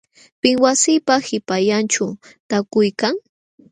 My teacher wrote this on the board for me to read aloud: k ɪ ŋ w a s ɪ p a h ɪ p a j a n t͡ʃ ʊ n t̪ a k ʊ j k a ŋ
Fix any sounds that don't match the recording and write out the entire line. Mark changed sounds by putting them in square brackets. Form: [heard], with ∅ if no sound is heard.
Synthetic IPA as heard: [p] ɪ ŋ w a s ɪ p a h ɪ p a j a n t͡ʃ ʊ [∅] t̪ a k ʊ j k a ŋ